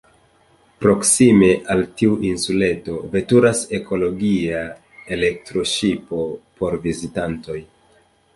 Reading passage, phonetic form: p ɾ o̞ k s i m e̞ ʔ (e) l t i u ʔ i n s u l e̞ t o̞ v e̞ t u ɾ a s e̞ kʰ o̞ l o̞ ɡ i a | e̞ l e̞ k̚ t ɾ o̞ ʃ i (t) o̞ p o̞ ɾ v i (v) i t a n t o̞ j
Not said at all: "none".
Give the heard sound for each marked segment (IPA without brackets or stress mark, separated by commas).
a, p, z